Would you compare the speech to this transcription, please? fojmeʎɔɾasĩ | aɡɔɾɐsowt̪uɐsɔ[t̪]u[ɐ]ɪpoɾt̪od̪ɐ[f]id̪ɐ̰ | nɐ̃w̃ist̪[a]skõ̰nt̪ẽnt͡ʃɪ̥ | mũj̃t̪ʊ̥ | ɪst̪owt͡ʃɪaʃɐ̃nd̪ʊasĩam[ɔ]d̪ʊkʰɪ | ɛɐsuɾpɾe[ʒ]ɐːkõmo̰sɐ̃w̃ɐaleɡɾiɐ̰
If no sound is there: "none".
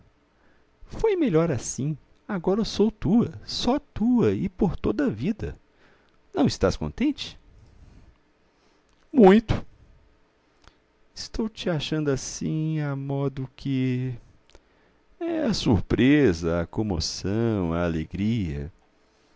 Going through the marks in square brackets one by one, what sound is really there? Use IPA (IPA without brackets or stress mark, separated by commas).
t̪, ɐ, v, a, ɔ, z